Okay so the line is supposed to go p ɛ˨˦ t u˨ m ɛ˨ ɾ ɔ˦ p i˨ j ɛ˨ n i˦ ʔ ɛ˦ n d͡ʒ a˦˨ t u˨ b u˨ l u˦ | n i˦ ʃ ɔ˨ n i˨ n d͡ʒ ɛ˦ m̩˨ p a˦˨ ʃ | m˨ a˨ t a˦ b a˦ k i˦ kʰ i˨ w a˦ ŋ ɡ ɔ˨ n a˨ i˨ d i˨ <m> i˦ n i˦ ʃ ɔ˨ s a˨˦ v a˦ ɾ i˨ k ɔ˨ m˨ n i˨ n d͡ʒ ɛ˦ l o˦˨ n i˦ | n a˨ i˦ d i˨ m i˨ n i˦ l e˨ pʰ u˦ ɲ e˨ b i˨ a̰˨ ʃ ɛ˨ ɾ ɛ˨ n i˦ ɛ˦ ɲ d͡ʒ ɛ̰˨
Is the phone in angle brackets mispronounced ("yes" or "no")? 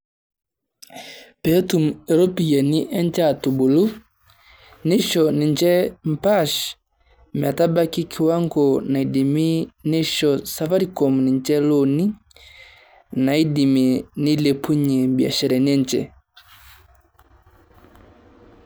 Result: no